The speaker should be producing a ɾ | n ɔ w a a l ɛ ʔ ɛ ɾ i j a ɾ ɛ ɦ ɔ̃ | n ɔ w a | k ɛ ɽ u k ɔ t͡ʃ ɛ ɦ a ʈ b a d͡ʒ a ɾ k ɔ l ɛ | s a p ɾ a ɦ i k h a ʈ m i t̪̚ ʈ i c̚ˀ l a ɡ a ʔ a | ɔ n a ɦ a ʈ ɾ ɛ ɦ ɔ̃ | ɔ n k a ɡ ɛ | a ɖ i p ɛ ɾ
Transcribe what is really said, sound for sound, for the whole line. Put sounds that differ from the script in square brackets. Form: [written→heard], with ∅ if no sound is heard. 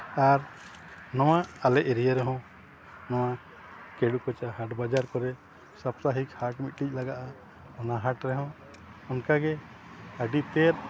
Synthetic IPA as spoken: a ɾ | n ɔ w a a l ɛ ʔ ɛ ɾ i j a ɾ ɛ ɦ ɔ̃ | n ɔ w a | k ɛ ɽ u k ɔ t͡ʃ [ɛ→a] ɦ a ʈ b a d͡ʒ a ɾ k ɔ [l→ɾ] ɛ | s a p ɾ a ɦ i k h a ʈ m i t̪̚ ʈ i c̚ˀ l a ɡ a ʔ a | ɔ n a ɦ a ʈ ɾ ɛ ɦ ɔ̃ | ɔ n k a ɡ ɛ | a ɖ i p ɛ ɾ

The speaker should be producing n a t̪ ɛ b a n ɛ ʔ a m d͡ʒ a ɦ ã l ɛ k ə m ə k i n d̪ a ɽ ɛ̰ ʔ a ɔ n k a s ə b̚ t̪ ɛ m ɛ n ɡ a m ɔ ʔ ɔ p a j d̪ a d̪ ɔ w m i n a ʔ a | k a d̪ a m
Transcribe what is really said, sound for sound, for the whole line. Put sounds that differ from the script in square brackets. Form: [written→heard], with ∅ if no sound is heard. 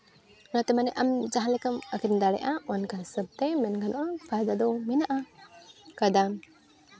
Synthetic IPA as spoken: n a t̪ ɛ [b→m] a n ɛ ʔ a m d͡ʒ a ɦ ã l ɛ k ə m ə k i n d̪ a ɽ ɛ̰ ʔ a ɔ n k a s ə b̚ t̪ ɛ m ɛ n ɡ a [m→n] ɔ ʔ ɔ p a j d̪ a d̪ ɔ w m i n a ʔ a | k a d̪ a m

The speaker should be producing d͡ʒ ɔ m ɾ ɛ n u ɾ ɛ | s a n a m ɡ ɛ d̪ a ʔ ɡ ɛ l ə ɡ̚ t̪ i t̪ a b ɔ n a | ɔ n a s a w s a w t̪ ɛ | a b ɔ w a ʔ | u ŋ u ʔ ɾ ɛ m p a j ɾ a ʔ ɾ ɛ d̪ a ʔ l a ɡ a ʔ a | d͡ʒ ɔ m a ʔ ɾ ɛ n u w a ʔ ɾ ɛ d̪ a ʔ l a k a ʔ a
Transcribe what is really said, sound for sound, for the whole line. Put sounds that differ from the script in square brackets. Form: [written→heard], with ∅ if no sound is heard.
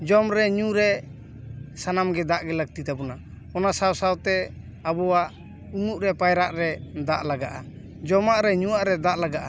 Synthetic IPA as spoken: d͡ʒ ɔ m ɾ ɛ [n→ɲ] u ɾ ɛ | s a n a m ɡ ɛ d̪ a ʔ ɡ ɛ l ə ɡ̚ t̪ i t̪ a b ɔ n a | ɔ n a s a w s a w t̪ ɛ | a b ɔ w a ʔ | u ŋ u ʔ ɾ ɛ [m→∅] p a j ɾ a ʔ ɾ ɛ d̪ a ʔ l a ɡ a ʔ a | d͡ʒ ɔ m a ʔ ɾ ɛ [n→ɲ] u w a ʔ ɾ ɛ d̪ a ʔ l a [k→ɡ] a ʔ a

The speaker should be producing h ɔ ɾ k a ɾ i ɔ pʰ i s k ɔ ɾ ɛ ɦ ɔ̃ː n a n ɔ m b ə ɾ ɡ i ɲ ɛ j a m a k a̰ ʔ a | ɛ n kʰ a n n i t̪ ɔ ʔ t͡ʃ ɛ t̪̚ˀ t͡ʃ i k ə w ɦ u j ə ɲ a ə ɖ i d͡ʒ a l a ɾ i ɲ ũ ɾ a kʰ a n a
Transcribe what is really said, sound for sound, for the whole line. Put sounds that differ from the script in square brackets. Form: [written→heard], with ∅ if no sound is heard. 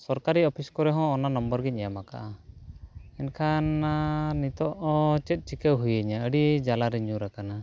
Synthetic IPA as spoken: [h→s] ɔ ɾ k a ɾ i ɔ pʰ i s k ɔ ɾ ɛ ɦ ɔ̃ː n a n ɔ m b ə ɾ ɡ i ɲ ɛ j a m a k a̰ ʔ a | ɛ n kʰ a n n i t̪ ɔ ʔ t͡ʃ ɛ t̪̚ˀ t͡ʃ i k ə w ɦ u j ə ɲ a ə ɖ i d͡ʒ a l a ɾ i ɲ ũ ɾ a [kʰ→k] a n a

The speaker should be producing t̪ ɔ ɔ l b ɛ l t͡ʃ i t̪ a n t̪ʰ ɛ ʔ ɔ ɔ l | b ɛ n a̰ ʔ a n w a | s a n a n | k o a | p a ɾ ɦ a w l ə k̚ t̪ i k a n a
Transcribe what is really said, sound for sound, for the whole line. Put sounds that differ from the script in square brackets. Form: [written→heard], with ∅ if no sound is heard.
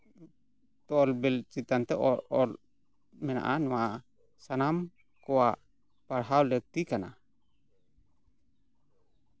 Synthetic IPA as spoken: t̪ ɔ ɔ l b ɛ l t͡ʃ i t̪ a n [t̪ʰ→t̪] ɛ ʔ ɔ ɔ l | [b→m] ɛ n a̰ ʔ a n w a | s a n a [n→m] | k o a | p a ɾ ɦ a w l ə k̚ t̪ i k a n a

